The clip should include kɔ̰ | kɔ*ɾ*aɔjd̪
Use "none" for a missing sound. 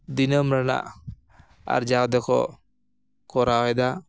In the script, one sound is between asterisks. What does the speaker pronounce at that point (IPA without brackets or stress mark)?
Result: ɾ